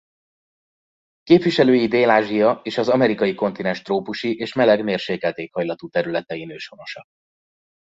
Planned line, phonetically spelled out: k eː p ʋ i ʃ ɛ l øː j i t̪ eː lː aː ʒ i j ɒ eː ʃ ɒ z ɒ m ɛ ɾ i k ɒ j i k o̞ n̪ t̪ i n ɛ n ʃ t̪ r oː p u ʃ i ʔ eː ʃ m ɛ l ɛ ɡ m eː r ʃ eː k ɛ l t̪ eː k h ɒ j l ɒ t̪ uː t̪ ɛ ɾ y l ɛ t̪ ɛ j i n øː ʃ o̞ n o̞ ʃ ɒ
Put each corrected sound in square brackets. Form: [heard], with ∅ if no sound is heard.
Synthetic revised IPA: k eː p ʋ i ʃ ɛ l øː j i [d̪] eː [l] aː ʒ i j ɒ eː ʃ ɒ z ɒ m ɛ ɾ i k ɒ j i k o̞ n̪ t̪ i n ɛ n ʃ t̪ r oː p u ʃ i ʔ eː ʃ m ɛ l ɛ ɡ m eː r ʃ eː k ɛ l t̪ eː k h ɒ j l ɒ t̪ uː t̪ ɛ ɾ y l ɛ t̪ ɛ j i n øː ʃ o̞ n o̞ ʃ ɒ

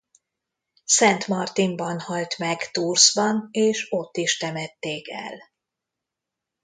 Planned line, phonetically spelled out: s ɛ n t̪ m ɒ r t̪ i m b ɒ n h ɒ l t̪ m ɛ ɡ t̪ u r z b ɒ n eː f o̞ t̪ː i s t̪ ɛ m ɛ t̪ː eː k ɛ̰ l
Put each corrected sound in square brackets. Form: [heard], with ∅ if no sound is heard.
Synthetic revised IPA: s ɛ n t̪ m ɒ r t̪ i m b ɒ n h ɒ l t̪ m ɛ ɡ t̪ u r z b ɒ n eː [ʃ] o̞ t̪ː i [ʃ] t̪ ɛ m ɛ t̪ː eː k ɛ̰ l

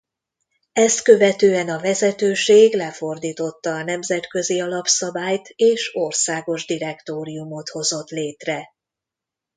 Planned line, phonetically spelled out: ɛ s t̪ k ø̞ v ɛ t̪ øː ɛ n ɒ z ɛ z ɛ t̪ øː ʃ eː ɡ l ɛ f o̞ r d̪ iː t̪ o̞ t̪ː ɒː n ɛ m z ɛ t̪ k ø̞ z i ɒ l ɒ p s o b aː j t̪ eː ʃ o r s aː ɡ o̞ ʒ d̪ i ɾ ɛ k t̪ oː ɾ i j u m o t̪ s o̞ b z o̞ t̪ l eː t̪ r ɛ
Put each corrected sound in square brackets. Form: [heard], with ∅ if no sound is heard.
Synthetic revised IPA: ɛ s t̪ k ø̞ v ɛ t̪ øː ɛ n ɒ [v] ɛ z ɛ t̪ øː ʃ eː ɡ l ɛ f o̞ r d̪ iː t̪ o̞ t̪ː ɒː n ɛ m z ɛ t̪ k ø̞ z i ɒ l ɒ p s [ɒ] b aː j t̪ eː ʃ o r s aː ɡ o̞ ʒ d̪ i ɾ ɛ k t̪ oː ɾ i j u m o t̪ [h] o̞ [∅] z o̞ t̪ l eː t̪ r ɛ

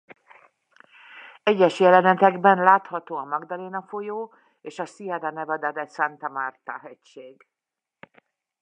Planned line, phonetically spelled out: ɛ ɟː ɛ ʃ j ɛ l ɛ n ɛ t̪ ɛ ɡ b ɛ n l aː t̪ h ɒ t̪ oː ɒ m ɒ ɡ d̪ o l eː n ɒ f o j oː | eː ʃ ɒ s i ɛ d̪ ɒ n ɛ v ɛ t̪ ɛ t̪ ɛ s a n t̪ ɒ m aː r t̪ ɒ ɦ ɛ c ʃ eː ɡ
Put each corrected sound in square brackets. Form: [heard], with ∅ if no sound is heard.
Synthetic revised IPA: ɛ ɟː ɛ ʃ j ɛ l ɛ n ɛ t̪ ɛ ɡ b ɛ n l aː t̪ h ɒ t̪ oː ɒ m ɒ ɡ d̪ [ɒ] l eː n ɒ f o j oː | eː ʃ ɒ s i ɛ d̪ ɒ n ɛ v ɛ [d̪] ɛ [d̪] ɛ s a n t̪ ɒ m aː r t̪ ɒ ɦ ɛ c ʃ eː ɡ

